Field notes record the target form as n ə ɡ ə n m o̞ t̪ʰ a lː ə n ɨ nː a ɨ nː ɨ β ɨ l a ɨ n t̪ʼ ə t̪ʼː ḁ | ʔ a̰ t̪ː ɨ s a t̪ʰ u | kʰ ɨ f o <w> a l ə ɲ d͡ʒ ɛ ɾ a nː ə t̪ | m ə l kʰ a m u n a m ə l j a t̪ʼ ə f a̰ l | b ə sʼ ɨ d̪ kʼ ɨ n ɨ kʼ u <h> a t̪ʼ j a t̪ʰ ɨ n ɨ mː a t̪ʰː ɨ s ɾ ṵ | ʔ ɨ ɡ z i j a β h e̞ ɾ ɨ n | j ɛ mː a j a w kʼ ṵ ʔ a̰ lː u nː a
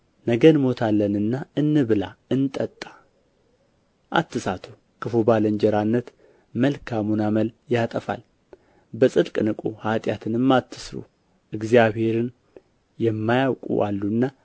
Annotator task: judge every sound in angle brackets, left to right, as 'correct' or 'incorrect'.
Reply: incorrect, correct

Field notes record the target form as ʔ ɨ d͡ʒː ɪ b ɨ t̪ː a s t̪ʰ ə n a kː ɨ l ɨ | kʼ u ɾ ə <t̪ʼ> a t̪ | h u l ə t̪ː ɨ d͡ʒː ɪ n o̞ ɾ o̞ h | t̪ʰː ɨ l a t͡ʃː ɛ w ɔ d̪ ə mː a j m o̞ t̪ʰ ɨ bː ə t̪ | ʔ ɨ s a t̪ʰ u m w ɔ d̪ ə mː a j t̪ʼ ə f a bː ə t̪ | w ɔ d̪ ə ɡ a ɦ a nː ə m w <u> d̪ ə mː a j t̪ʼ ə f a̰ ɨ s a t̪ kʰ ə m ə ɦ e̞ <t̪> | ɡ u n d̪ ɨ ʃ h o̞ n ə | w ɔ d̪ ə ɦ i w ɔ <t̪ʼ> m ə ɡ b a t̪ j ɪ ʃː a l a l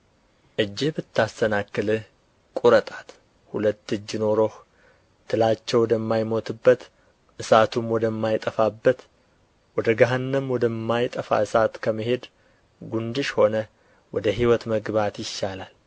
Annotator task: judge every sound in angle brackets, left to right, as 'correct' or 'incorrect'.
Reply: correct, incorrect, incorrect, incorrect

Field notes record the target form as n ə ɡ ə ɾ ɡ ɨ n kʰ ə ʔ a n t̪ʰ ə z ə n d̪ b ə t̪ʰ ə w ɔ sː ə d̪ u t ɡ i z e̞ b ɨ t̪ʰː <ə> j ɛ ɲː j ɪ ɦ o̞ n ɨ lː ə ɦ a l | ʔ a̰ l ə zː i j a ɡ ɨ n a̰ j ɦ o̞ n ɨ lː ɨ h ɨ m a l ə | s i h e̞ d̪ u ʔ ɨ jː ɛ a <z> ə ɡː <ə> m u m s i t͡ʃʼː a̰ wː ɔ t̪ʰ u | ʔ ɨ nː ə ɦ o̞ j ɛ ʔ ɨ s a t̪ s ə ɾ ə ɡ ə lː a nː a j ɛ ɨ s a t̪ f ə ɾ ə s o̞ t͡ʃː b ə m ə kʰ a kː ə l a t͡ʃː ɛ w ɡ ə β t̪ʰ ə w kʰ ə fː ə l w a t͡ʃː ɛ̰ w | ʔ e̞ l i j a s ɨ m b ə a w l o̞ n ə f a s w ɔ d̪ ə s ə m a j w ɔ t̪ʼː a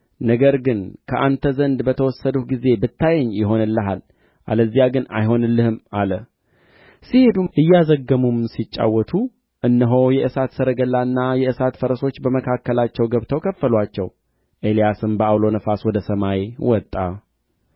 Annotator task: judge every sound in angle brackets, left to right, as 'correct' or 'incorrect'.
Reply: incorrect, correct, correct

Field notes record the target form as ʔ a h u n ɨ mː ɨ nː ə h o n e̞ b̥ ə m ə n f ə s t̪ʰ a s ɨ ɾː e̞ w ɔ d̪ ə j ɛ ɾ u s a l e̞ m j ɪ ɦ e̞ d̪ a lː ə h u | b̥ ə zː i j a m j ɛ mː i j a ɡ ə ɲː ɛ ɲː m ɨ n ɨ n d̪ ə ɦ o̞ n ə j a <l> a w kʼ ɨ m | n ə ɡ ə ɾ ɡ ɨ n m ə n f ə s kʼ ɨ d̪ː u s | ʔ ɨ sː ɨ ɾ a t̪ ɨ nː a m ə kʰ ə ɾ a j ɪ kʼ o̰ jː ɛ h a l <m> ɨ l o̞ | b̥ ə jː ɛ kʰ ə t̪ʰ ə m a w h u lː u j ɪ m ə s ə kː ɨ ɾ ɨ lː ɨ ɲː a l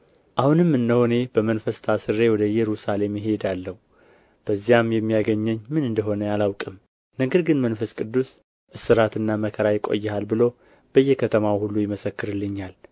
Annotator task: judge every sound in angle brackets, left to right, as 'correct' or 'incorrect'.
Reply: correct, incorrect

